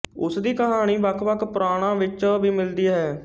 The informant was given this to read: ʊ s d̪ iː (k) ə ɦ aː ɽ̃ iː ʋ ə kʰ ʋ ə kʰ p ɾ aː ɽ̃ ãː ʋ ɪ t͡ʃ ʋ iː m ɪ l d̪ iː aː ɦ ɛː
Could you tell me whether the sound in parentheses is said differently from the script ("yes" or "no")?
no